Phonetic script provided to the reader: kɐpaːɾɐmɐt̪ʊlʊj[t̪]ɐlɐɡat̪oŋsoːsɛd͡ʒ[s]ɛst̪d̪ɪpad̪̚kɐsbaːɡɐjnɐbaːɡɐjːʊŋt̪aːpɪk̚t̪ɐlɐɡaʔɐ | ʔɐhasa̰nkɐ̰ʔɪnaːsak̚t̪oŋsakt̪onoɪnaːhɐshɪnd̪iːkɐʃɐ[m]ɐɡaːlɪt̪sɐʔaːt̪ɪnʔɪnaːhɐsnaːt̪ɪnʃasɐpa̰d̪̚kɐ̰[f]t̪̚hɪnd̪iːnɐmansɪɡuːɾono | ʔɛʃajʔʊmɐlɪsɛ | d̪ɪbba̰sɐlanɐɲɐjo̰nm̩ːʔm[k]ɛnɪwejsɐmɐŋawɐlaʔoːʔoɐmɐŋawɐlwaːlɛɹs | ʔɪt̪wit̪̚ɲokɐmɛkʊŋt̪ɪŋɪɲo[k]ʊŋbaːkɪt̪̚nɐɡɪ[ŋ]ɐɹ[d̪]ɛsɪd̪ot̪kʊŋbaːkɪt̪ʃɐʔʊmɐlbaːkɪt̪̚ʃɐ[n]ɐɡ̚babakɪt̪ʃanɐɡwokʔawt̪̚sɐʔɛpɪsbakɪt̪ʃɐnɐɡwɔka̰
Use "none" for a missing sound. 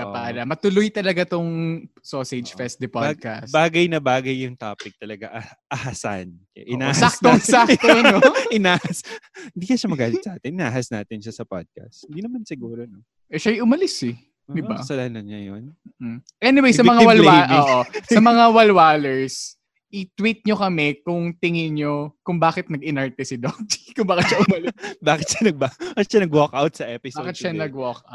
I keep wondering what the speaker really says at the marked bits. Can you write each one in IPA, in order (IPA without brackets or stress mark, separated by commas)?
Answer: t̪, f, m, s, ʔ, k, n, t̪, n